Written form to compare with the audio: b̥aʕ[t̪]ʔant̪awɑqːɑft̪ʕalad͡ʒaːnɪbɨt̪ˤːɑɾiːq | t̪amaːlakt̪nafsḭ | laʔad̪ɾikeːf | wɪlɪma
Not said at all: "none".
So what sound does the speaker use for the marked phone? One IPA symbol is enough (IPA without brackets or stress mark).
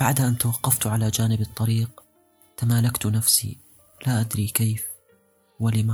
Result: d̪